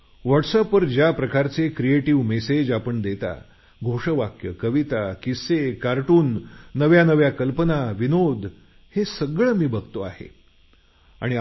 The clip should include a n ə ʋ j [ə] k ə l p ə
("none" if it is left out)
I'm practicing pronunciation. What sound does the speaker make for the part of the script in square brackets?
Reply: a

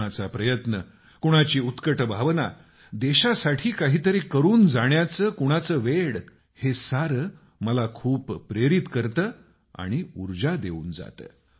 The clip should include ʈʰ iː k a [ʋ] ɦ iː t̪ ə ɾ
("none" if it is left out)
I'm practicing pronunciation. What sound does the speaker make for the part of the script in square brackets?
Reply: none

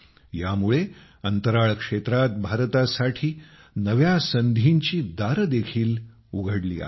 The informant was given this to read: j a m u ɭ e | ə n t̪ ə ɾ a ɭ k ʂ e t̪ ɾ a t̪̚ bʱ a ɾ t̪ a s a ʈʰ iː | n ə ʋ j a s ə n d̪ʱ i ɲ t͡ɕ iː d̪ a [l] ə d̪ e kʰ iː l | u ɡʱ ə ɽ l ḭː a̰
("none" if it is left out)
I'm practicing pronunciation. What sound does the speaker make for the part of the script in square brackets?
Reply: ɾ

